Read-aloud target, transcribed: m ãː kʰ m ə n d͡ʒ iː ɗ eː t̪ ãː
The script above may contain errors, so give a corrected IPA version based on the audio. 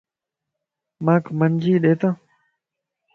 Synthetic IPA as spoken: m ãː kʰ m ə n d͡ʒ iː ɗ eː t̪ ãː